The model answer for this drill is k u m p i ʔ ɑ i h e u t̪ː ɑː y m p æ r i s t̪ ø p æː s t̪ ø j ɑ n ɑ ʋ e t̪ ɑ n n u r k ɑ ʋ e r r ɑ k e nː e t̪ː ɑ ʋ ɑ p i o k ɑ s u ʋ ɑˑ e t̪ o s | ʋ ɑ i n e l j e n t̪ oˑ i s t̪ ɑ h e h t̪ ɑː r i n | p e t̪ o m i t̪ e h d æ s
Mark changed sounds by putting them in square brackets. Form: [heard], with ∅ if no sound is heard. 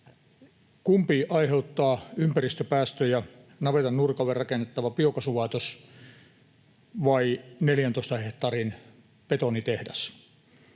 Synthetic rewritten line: k u m p i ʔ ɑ i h e u t̪ː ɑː y m p æ r i s t̪ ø p æː s t̪ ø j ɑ n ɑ ʋ e t̪ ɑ n n u r k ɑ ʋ e r r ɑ k e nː e t̪ː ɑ ʋ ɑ p i o k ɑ s u ʋ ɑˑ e t̪ o s | ʋ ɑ i n e l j [æ] n t̪ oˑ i s t̪ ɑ h e h t̪ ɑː r i n | p e t̪ o [n] i t̪ e h d æ s